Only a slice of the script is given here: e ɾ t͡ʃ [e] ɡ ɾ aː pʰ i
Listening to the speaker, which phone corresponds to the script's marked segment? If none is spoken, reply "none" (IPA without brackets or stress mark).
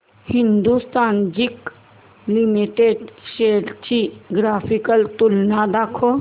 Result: i